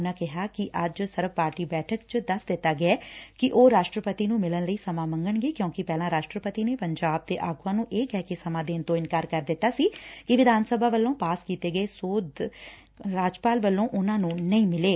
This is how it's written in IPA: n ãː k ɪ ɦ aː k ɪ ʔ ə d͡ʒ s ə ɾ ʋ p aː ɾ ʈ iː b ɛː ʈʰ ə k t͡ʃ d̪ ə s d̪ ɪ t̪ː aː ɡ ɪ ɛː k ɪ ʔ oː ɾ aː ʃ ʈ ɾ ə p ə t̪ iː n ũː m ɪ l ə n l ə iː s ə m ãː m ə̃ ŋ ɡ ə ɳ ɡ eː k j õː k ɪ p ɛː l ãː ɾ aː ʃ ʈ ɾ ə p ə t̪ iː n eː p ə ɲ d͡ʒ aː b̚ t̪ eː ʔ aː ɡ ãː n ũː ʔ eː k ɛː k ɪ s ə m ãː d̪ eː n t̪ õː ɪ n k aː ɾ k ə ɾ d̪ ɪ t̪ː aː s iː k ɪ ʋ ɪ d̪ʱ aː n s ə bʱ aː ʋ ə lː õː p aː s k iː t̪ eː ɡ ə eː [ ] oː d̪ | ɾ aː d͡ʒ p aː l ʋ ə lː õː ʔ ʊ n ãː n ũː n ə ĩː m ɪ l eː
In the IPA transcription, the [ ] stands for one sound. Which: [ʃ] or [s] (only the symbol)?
s